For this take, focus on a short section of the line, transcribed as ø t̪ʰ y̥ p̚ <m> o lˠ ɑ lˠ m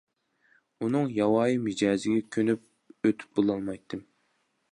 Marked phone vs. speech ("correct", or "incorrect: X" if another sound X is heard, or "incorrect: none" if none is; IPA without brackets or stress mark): incorrect: b